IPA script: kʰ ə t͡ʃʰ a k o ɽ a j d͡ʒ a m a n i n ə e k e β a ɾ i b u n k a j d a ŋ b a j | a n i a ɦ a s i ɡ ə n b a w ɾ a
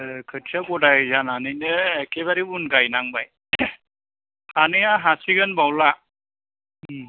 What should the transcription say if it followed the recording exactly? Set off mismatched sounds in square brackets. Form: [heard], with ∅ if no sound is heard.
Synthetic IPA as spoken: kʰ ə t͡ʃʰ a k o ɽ a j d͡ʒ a [n] a n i n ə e k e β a ɾ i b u n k a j [n] a ŋ b a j | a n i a ɦ a s i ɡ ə n b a w [l] a

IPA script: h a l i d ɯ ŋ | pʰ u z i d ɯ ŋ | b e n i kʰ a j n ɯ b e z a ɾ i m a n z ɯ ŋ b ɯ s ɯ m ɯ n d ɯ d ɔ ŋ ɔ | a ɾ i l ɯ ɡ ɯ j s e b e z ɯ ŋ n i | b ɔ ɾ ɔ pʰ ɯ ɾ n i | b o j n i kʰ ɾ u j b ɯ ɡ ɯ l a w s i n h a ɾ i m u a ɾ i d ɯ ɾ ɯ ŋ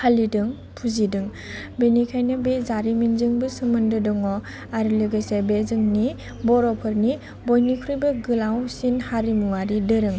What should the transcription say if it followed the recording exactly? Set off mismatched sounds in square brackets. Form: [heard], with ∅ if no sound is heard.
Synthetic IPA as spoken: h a l i d ɯ ŋ | pʰ u z i d ɯ ŋ | b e n i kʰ a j n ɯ b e z a ɾ i m [i] n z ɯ ŋ b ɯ s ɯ m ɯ n d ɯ d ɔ ŋ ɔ | a ɾ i l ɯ ɡ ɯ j s e b e z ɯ ŋ n i | b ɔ ɾ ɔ pʰ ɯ ɾ n i | b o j n i kʰ ɾ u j b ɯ ɡ ɯ l a w s i n h a ɾ i m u a ɾ i d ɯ ɾ ɯ ŋ

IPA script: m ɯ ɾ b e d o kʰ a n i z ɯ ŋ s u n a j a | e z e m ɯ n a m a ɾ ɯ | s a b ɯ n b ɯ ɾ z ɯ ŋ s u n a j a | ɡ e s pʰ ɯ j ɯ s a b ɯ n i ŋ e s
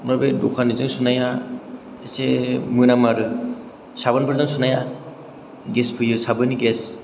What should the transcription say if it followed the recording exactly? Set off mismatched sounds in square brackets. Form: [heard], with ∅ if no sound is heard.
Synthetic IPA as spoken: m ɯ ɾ b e d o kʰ a n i z ɯ ŋ s u n a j a | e [s] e m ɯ n a m a ɾ ɯ | s a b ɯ n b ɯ ɾ z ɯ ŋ s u n a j a | ɡ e s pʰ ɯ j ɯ s a b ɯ n i [ɡ] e s

